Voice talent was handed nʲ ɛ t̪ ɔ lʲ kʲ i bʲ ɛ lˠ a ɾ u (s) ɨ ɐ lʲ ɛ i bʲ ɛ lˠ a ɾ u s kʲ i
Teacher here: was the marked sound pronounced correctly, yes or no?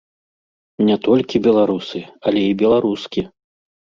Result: yes